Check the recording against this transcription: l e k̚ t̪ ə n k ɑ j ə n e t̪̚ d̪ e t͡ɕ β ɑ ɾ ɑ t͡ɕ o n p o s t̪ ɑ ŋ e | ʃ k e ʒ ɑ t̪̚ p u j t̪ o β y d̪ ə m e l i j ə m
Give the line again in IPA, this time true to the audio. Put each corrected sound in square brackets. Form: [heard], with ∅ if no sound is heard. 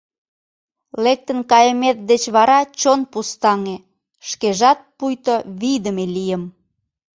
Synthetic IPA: l e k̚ t̪ ə n k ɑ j ə [m] e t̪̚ d̪ e t͡ɕ β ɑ ɾ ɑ t͡ɕ o n p [u] s t̪ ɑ ŋ e | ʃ k e ʒ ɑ t̪̚ p u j t̪ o β [i] d̪ ə m e l i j ə m